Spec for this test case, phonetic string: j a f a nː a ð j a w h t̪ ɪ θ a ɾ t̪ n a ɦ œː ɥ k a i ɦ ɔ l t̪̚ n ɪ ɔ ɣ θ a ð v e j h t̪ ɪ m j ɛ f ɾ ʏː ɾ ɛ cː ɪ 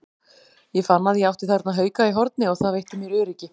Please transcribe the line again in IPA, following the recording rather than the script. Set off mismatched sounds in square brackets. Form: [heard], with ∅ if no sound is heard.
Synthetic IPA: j [ɛ] f a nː a ð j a w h t̪ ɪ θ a ɾ t̪ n a ɦ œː ɥ k a i ɦ ɔ [ɾ] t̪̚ n ɪ ɔ ɣ θ a ð v e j h t̪ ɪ m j ɛ [∅] ɾ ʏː ɾ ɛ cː ɪ